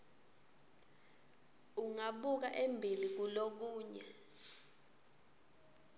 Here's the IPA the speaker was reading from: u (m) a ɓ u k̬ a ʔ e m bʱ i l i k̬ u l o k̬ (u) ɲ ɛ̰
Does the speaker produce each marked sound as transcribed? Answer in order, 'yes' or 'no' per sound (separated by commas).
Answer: no, no